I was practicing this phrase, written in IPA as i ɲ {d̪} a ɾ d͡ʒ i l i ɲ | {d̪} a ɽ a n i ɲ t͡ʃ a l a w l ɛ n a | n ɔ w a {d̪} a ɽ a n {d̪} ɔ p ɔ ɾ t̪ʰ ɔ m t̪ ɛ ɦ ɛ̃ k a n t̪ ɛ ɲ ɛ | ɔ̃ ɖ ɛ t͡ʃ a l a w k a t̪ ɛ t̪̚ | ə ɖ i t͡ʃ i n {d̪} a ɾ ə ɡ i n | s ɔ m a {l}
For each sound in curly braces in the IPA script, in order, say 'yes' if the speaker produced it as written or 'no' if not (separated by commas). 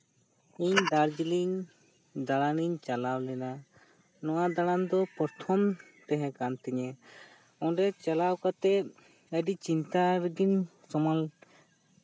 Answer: yes, yes, yes, yes, no, yes